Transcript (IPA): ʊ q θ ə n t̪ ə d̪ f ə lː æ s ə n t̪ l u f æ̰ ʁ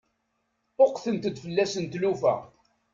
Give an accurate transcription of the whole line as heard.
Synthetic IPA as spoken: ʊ q θ ə n t̪ ə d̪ f ə lː æ s ə n t̪ l u f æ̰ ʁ